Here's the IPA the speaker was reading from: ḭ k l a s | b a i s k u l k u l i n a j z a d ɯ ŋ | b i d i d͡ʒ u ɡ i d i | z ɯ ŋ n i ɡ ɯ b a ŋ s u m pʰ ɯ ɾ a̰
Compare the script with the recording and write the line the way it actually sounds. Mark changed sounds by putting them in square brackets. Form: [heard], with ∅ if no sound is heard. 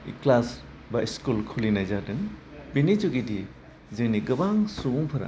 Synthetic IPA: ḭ k l a s | b a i s k u l [kʰ] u l i n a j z a d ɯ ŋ | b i [n] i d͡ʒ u ɡ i d i | z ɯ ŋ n i ɡ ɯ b a ŋ s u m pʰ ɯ ɾ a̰